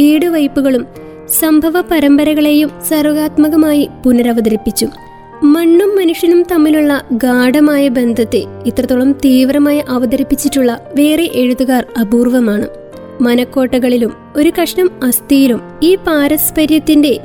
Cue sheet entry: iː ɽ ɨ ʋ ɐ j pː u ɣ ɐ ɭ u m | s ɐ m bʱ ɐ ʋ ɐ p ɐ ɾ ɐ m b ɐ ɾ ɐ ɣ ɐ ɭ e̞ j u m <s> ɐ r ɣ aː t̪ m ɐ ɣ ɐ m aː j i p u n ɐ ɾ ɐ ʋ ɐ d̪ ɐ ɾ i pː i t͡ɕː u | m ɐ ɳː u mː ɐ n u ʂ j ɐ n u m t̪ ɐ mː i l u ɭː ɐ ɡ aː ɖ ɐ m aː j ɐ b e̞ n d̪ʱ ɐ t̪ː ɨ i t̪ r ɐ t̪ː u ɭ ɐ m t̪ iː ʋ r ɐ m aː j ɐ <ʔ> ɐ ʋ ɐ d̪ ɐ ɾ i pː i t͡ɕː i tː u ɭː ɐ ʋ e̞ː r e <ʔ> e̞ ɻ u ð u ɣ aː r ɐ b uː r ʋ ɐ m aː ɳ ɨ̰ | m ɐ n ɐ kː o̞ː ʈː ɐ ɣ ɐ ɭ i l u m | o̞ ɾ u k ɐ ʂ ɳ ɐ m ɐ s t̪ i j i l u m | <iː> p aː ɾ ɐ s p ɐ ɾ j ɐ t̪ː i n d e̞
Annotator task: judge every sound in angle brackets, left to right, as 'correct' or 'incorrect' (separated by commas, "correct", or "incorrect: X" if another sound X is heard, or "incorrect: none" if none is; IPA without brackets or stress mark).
correct, correct, correct, correct